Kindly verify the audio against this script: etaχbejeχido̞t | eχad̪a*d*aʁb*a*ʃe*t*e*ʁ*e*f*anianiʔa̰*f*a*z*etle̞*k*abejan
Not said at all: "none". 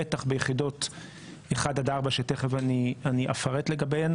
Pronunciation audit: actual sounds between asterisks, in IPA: d, a, t, χ, v, f, ʁ, ɡ

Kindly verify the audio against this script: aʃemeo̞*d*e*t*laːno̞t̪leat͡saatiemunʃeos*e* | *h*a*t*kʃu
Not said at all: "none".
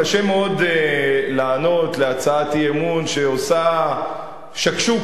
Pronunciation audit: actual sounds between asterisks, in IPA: d, none, a, ʃ, none

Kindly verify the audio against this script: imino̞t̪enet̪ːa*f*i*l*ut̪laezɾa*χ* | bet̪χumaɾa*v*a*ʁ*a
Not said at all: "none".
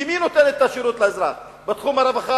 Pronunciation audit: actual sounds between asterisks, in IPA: ʃ, ɾ, χ, v, χ

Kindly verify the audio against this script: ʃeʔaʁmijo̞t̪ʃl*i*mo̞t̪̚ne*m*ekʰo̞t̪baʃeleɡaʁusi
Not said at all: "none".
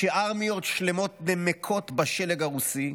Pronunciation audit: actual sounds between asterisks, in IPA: e, m

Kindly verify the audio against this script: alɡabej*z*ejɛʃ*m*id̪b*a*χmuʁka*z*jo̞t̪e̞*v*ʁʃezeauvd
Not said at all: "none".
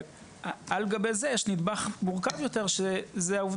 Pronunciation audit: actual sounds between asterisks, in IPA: z, n, a, v, none

